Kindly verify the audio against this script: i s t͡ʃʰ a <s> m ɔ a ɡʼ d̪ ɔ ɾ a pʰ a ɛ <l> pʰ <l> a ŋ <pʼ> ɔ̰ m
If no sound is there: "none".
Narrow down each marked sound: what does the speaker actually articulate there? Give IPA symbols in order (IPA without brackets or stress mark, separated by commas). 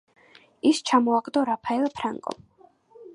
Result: none, l, ɾ, kʼ